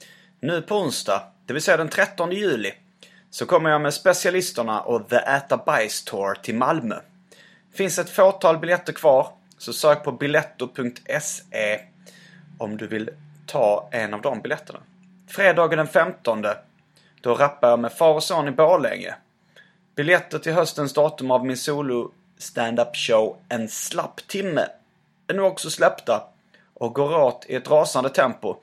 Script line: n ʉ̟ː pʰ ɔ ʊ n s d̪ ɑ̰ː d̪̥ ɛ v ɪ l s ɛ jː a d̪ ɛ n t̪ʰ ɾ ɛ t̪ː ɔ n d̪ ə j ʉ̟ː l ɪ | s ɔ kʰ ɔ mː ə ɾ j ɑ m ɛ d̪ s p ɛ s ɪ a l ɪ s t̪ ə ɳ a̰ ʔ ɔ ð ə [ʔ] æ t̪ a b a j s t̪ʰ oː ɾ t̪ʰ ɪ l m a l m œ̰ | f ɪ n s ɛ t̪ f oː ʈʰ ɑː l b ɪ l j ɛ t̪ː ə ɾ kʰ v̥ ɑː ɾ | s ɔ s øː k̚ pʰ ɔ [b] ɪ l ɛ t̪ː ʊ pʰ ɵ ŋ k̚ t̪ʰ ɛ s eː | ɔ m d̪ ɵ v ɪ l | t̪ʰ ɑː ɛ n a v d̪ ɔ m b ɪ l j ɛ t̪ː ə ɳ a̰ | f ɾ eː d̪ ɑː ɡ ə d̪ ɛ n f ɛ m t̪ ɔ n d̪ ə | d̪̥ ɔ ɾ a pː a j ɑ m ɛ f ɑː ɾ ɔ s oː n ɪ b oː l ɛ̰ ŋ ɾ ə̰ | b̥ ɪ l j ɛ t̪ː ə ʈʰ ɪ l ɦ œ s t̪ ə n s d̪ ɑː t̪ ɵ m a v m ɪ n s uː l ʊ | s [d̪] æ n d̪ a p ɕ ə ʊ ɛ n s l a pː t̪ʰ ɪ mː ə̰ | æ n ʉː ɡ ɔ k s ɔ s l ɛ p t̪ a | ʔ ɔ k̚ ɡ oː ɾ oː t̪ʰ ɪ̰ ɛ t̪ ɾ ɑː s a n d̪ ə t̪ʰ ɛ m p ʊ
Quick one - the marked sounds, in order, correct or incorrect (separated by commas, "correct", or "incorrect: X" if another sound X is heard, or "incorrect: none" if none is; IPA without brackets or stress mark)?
correct, correct, incorrect: t̪